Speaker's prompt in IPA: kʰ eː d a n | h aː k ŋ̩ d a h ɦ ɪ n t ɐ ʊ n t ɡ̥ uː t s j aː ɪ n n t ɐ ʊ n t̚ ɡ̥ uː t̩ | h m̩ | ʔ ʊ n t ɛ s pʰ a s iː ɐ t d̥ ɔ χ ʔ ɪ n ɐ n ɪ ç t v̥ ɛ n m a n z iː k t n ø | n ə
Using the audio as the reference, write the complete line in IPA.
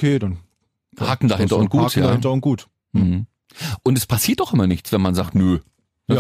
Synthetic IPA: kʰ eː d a n | h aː k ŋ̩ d a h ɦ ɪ n t ɐ ʊ n t ɡ̥ uː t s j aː ɪ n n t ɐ ʊ n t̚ ɡ̥ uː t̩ | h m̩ | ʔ ʊ n t ɛ s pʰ a s iː ɐ t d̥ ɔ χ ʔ ɪ m ɐ n ɪ ç t͡s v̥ ɛ n m a n z aː k t n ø | n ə